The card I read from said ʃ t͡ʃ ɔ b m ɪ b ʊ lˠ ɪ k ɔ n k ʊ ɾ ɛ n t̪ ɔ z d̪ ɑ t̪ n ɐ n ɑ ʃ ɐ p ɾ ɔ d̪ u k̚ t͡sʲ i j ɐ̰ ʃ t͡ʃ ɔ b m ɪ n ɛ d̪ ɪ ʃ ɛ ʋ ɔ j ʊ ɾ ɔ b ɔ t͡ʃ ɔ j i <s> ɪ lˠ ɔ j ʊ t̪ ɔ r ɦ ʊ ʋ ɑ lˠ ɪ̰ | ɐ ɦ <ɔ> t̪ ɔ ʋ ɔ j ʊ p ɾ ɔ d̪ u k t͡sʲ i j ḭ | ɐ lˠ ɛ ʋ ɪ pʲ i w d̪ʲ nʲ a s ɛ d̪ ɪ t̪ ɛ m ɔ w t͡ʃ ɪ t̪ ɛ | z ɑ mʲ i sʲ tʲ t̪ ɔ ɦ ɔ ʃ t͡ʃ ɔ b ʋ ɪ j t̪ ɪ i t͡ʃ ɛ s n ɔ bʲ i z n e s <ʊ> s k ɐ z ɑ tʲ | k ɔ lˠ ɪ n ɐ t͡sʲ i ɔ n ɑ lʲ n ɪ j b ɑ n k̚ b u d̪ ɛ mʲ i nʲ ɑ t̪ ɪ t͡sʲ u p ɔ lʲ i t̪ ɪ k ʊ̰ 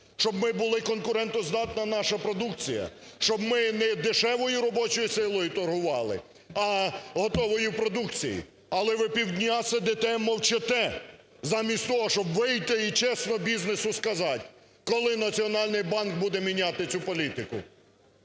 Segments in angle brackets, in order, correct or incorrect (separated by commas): correct, correct, correct